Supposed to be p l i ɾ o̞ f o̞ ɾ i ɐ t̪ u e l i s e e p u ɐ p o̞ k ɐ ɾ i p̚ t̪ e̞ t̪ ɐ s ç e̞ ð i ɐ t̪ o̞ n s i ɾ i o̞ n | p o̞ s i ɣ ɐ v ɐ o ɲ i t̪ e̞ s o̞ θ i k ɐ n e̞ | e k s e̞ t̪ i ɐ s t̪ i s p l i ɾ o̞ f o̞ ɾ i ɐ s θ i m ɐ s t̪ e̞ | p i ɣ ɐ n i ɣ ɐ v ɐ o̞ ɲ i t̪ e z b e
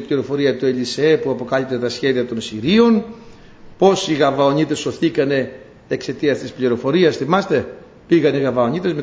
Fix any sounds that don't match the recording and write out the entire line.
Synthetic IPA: p l i ɾ o̞ f o̞ ɾ i ɐ t̪ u e l i s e e p u ɐ p o̞ k ɐ l i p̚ t̪ e̞ t̪ ɐ s ç e̞ ð i ɐ t̪ o̞ n s i ɾ i o̞ n | p o̞ s i ɣ ɐ v ɐ o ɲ i t̪ e̞ s o̞ θ i k ɐ n e̞ | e k s e̞ t̪ i ɐ s t̪ i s p l i ɾ o̞ f o̞ ɾ i ɐ s θ i m ɐ s t̪ e̞ | p i ɣ ɐ n i ɣ ɐ v ɐ o̞ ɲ i t̪ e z m e